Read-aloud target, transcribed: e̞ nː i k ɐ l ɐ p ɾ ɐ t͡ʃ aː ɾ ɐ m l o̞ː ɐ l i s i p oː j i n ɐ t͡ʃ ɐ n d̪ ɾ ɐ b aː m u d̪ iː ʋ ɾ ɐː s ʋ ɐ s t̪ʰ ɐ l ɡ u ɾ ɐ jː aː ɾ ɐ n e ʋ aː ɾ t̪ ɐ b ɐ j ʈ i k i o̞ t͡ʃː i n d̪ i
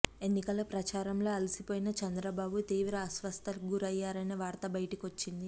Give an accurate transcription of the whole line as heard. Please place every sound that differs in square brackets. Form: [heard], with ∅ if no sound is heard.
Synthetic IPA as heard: e̞ nː i k ɐ l ɐ p ɾ ɐ t͡ʃ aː ɾ ɐ m l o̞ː ɐ l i s i p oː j i n ɐ t͡ʃ ɐ n d̪ ɾ ɐ b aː [b] u [t̪] iː ʋ ɾ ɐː s ʋ ɐ s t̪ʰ ɐ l ɡ u ɾ ɐ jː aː ɾ ɐ n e ʋ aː ɾ t̪ ɐ b ɐ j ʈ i k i o̞ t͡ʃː i n d̪ i

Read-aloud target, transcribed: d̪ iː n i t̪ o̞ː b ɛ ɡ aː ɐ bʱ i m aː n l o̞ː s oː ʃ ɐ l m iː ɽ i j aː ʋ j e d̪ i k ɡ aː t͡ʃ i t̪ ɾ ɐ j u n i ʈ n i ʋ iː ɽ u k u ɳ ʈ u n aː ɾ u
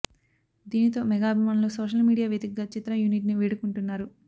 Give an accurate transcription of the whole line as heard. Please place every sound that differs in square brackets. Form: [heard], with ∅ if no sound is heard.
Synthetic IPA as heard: d̪ iː n i t̪ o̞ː [m] ɛ ɡ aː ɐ bʱ i m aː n l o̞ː s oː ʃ ɐ l m iː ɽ i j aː ʋ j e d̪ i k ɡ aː t͡ʃ i t̪ ɾ ɐ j u n i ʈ n i ʋ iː ɽ u k u ɳ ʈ u [nː] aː ɾ u

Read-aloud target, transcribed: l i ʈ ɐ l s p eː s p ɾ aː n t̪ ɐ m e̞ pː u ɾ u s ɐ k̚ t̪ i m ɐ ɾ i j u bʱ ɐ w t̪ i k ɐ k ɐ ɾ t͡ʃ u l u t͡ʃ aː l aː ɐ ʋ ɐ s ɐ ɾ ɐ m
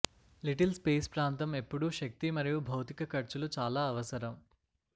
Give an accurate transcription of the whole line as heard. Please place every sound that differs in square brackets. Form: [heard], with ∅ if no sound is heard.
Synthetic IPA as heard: l i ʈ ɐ l s p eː s p ɾ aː n t̪ ɐ m e̞ pː u [ɽ] u [ʃ] ɐ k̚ t̪ i m ɐ ɾ i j u bʱ ɐ w t̪ i k ɐ k ɐ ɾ t͡ʃ u l u t͡ʃ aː l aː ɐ ʋ ɐ s ɐ ɾ ɐ m

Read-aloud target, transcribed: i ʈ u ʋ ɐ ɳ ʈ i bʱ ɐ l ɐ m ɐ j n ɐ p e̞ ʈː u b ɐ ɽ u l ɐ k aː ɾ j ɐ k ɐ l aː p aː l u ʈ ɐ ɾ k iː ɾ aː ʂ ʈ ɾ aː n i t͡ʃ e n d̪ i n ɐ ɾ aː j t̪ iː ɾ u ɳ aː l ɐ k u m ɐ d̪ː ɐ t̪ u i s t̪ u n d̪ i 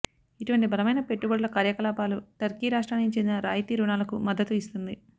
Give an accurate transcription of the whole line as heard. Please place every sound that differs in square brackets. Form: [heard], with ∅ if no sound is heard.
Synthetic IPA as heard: i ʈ u ʋ ɐ ɳ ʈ i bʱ ɐ l ɐ m ɐ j n ɐ p e̞ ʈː u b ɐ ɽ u l ɐ k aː ɾ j ɐ k ɐ l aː p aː l u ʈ ɐ ɾ k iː ɾ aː ʂ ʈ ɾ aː n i t͡ʃ e n d̪ i n ɐ ɾ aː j t̪ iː ɾ u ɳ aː l ɐ k u m ɐ d̪ː ɐ t̪ u i s t̪ u n d̪ i

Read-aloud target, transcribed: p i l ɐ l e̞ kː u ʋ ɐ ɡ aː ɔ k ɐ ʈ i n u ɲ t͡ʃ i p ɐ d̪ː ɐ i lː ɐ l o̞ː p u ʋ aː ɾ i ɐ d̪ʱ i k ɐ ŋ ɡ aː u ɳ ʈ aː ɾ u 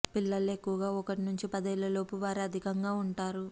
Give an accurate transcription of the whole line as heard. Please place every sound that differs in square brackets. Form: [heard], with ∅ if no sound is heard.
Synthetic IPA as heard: p i [lː] ɐ l e̞ kː u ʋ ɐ ɡ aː ɔ k ɐ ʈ i n u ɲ t͡ʃ i p ɐ [d̪] ɐ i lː ɐ l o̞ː p u ʋ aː ɾ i ɐ d̪ʱ i k ɐ ŋ ɡ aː u ɳ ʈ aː ɾ u

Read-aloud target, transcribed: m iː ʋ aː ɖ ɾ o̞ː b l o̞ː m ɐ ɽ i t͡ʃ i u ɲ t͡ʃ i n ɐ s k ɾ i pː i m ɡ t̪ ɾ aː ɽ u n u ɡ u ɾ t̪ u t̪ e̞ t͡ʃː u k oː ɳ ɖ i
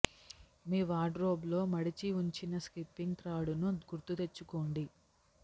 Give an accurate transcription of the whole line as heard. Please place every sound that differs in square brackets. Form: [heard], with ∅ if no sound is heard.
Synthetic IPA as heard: m iː ʋ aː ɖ ɾ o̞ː b l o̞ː m ɐ ɽ i t͡ʃ i u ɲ t͡ʃ i n ɐ s k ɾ i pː i [ŋ] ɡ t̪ ɾ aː ɽ u n u ɡ u ɾ t̪ u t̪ e̞ t͡ʃː u k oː ɳ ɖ i

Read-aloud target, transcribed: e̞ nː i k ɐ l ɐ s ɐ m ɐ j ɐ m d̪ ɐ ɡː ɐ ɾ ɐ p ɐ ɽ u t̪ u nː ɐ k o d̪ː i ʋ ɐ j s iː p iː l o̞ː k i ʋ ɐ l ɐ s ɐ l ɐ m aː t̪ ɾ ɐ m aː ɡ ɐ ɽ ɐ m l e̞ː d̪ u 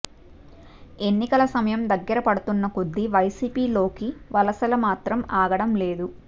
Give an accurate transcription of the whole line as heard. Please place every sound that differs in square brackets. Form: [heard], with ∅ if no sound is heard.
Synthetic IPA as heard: e̞ nː i k ɐ l ɐ s ɐ m ɐ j ɐ m d̪ ɐ ɡː ɐ ɾ ɐ p ɐ ɽ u t̪ u nː ɐ k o d̪ː i ʋ ɐ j s iː p iː l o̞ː k i ʋ ɐ l ɐ s ɐ l ɐ m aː t̪ ɾ ɐ m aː ɡ ɐ ɽ ɐ m l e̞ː d̪ u

